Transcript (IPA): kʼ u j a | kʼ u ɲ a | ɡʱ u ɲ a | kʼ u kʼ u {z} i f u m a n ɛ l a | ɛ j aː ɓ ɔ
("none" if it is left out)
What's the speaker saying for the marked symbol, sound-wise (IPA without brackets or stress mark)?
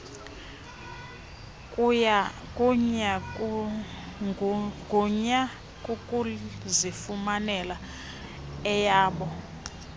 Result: z